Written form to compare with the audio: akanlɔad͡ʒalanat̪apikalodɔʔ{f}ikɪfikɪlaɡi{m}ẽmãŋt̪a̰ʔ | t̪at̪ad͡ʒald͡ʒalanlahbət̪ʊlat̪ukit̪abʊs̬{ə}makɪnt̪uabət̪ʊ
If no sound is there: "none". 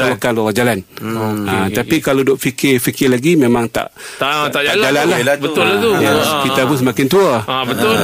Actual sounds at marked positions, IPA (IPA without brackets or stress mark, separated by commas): f, m, ə